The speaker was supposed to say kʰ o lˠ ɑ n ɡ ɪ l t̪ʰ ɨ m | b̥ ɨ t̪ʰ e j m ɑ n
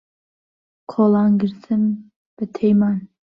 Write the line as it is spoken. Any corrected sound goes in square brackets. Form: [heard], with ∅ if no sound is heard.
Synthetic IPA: kʰ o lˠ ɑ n ɡ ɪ [ɾ] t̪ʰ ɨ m | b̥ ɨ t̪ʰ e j m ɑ n